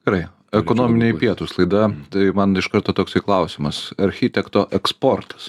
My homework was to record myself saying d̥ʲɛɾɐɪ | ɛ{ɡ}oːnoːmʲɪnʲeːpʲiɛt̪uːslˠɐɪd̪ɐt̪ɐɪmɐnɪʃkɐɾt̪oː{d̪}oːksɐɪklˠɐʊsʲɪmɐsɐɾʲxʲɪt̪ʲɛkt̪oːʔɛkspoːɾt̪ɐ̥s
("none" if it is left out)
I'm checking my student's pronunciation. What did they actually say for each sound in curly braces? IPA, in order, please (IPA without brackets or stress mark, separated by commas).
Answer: k, t̪